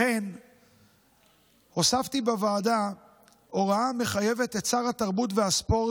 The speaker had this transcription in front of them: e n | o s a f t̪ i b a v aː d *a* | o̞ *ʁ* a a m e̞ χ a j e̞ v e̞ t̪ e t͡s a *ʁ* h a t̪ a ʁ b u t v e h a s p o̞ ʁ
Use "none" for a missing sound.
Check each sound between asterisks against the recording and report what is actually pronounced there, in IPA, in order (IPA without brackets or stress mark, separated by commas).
a, ʁ, ʁ